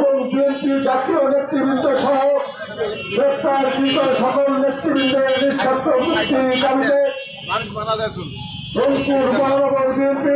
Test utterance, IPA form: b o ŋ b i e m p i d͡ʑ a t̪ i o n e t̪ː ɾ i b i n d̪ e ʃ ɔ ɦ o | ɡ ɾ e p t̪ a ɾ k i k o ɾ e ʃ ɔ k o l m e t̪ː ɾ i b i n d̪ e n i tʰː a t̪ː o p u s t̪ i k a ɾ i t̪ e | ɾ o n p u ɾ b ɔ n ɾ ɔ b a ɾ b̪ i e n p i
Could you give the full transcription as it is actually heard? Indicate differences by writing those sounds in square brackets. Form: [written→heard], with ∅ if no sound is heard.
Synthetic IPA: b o ŋ b i e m p i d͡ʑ a t̪ i o n e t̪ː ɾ i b i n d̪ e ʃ ɔ ɦ o | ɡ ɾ e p t̪ a ɾ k i k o ɾ e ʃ ɔ k o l [m→n] e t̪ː ɾ i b i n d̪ e n i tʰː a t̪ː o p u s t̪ i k a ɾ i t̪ e | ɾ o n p u ɾ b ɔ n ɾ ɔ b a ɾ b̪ i e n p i